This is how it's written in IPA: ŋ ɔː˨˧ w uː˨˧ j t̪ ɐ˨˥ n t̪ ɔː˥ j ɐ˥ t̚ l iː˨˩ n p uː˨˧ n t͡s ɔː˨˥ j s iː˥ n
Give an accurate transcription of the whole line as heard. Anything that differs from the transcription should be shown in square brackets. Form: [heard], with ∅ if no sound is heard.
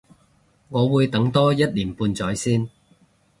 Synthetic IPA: ŋ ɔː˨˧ w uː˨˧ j t̪ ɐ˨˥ [ŋ] t̪ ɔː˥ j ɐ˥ t̚ l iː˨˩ n p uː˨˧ n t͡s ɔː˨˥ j s iː˥ n